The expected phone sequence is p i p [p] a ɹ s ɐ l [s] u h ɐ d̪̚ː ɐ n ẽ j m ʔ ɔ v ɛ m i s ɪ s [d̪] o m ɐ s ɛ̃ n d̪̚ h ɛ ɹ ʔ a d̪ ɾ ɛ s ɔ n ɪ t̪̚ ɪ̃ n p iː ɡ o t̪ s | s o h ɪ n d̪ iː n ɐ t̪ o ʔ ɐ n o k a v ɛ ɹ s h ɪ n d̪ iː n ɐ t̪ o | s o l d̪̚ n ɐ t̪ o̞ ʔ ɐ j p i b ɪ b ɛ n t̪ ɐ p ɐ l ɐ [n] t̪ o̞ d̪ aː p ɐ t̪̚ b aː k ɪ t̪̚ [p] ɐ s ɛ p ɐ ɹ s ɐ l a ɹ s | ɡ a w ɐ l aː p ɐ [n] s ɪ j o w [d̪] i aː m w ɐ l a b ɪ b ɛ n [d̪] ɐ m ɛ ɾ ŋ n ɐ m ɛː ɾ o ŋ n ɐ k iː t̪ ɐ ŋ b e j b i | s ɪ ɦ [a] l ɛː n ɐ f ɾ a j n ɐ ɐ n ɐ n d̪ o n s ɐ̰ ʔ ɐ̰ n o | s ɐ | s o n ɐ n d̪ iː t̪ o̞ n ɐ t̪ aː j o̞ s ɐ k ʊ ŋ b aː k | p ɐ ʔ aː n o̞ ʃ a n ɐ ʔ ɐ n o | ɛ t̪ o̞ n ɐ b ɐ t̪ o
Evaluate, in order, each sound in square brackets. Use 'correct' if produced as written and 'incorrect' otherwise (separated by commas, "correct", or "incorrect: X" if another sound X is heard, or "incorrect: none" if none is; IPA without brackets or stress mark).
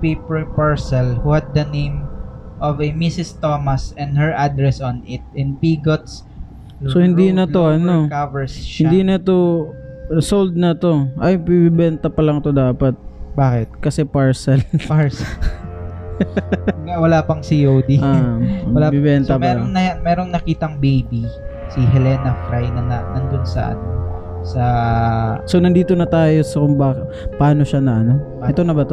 correct, incorrect: h, incorrect: t̪, incorrect: ŋ, incorrect: k, incorrect: ŋ, correct, incorrect: t̪, incorrect: ɛ